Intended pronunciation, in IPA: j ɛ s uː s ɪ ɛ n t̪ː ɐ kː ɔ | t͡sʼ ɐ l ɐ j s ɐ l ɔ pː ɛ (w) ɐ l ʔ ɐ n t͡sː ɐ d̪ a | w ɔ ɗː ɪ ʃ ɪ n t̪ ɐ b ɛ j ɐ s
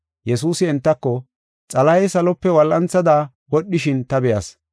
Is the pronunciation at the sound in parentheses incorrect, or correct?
correct